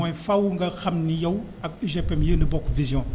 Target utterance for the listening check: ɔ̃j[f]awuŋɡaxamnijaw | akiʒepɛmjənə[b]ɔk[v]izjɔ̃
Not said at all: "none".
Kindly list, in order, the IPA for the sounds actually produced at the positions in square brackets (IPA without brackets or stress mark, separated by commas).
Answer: f, b, v